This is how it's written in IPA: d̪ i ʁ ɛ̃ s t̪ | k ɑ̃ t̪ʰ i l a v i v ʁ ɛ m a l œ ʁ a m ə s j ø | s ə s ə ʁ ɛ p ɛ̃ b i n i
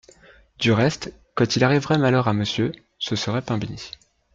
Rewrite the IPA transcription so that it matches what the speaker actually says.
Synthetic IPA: d̪ y ʁ ɛ s t̪ | k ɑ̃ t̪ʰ i l a ʁ i v ʁ ɛ m a l œ ʁ a m ə s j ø | s ə s ə ʁ ɛ p ɛ̃ b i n i